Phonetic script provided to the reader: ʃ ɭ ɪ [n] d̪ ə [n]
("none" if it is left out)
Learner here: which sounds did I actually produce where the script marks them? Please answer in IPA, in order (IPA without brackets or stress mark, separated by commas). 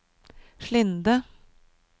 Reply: n, none